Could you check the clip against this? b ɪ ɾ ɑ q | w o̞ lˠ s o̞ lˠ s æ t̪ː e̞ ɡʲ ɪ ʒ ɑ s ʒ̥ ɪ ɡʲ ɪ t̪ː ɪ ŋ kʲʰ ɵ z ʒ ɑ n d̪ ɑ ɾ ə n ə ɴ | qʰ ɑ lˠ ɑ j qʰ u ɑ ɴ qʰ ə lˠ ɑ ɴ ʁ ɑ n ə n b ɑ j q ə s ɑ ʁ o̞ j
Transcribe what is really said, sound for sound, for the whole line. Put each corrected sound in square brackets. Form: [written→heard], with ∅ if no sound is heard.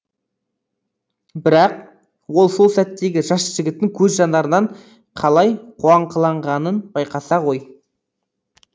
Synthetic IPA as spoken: b ɪ ɾ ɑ q | w o̞ lˠ s o̞ lˠ s æ t̪ː e̞ ɡʲ ɪ ʒ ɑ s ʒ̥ ɪ ɡʲ ɪ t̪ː ɪ ŋ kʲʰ ɵ z ʒ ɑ n d̪ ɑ ɾ ə n [ə→ɑ] ɴ | qʰ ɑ lˠ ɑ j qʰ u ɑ ɴ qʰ ə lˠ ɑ ɴ ʁ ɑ n ə n b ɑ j q [ə→ɑ] s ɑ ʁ o̞ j